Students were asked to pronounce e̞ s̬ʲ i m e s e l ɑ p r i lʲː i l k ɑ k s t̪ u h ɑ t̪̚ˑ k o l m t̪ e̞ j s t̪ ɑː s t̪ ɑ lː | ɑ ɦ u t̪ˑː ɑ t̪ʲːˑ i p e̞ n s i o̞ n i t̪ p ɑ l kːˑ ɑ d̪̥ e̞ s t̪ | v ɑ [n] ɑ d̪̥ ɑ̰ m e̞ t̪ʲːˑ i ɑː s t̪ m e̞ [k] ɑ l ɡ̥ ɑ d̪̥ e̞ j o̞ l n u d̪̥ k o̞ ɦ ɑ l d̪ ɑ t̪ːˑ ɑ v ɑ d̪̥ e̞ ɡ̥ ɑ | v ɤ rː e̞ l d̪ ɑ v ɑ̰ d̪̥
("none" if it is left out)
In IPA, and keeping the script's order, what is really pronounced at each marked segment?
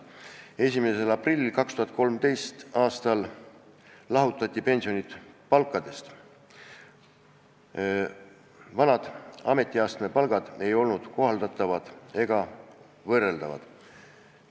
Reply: n, p

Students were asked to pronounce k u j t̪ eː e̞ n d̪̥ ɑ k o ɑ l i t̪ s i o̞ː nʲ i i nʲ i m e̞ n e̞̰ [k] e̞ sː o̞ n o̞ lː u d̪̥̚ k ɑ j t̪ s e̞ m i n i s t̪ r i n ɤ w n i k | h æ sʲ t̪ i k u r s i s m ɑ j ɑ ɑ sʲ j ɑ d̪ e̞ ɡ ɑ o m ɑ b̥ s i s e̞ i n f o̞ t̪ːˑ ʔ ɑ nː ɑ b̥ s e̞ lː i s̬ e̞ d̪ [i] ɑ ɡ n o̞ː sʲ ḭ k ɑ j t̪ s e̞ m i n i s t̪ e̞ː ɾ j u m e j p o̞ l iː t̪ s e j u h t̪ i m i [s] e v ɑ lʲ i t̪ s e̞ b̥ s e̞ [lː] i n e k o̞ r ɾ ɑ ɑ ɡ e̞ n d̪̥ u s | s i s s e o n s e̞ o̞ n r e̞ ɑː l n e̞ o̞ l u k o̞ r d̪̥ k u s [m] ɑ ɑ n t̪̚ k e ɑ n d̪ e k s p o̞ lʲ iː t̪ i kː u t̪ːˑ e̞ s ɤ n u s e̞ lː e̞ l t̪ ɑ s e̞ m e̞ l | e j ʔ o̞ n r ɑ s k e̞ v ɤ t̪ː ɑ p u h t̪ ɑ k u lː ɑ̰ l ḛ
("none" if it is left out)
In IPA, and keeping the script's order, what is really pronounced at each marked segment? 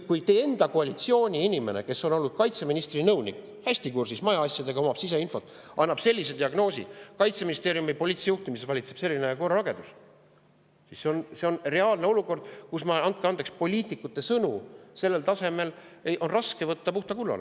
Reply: k, i, s, lː, m

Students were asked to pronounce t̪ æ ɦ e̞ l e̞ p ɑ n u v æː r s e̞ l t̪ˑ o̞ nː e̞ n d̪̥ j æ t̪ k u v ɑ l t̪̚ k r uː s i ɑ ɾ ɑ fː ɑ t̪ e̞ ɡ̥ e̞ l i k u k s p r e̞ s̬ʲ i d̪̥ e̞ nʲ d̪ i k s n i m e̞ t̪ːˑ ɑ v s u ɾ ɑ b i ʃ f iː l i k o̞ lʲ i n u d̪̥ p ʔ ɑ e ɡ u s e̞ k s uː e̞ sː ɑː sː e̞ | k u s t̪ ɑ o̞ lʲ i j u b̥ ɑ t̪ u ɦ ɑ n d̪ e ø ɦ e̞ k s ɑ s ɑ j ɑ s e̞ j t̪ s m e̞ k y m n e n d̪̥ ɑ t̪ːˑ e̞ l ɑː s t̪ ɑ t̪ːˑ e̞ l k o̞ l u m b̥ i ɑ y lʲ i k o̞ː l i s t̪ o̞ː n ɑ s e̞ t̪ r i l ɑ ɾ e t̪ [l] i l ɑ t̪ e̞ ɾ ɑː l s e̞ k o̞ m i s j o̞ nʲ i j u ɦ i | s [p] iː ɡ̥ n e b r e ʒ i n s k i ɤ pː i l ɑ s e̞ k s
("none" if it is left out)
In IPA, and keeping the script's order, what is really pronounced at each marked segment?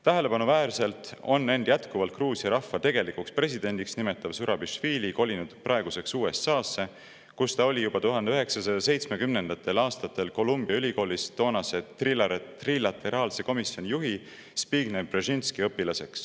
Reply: r, p

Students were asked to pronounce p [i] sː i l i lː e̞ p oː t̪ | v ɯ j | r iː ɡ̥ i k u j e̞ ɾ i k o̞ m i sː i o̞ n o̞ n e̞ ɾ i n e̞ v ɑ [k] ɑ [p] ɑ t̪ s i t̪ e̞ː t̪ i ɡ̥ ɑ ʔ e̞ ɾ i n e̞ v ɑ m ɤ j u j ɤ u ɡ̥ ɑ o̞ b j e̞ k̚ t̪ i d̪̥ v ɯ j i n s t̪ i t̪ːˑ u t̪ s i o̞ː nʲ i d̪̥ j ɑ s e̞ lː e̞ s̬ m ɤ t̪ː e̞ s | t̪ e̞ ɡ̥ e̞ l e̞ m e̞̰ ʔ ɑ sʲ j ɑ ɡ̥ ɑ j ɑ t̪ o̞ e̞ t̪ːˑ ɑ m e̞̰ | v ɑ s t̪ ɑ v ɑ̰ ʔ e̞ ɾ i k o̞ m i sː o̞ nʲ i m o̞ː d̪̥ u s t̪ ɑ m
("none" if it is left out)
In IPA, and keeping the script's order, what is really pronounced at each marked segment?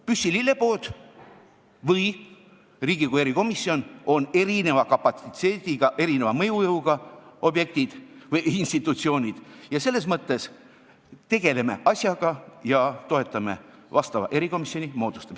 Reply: y, k, p

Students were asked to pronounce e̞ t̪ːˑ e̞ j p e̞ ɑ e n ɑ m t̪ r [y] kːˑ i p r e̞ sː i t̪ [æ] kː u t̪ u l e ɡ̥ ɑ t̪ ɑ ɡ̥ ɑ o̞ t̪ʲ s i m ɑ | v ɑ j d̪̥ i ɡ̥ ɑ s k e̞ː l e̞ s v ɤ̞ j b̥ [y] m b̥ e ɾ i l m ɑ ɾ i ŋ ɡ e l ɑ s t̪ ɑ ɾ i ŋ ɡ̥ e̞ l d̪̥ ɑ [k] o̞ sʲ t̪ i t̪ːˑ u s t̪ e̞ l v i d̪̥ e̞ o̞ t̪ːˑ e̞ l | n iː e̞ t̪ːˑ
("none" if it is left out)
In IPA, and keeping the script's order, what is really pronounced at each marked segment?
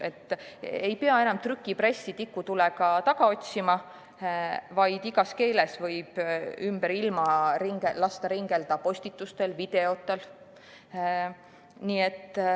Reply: y, i, y, p

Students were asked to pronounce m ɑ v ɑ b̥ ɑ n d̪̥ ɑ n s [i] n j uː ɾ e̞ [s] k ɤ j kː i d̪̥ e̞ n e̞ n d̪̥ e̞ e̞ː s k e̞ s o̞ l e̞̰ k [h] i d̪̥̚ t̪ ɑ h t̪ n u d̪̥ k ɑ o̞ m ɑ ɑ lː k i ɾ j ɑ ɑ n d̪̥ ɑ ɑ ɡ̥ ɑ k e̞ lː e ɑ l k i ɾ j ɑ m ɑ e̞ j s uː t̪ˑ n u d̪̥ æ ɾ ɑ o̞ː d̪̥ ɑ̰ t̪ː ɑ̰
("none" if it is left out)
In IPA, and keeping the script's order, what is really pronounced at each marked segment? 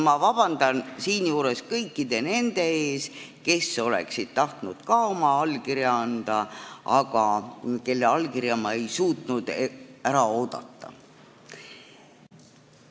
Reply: iː, s, s

